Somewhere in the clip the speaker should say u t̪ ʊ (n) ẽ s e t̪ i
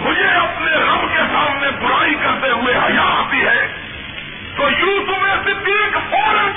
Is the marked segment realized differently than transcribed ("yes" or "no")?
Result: yes